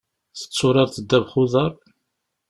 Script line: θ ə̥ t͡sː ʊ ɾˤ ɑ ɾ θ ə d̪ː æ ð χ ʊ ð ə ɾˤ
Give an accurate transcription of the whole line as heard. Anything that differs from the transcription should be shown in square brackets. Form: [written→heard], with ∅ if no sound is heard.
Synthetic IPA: θ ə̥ t͡sː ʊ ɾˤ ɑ ɾ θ ə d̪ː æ [ð→v] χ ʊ ð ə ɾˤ